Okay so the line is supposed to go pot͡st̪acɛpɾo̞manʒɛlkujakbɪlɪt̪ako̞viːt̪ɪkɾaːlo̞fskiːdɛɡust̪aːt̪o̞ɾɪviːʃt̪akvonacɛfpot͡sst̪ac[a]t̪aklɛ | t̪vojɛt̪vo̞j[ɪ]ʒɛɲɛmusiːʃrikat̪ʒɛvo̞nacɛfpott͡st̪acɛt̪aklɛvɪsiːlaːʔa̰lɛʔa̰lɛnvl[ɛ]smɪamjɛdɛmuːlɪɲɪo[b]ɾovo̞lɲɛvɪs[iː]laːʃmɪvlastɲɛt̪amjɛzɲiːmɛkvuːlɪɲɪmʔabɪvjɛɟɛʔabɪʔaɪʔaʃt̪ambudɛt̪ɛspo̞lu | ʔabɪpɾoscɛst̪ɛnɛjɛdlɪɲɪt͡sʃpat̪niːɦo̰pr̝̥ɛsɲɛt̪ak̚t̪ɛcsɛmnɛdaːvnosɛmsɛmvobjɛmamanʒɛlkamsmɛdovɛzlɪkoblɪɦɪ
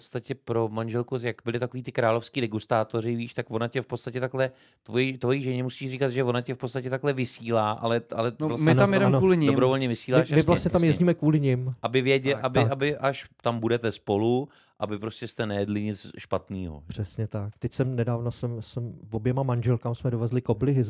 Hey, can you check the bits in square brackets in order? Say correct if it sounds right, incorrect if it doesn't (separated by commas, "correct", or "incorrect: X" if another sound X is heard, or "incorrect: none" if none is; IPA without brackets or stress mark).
incorrect: ɛ, incorrect: i, incorrect: a, correct, correct